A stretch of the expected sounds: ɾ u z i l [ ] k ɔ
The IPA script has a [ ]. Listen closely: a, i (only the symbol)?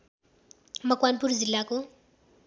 a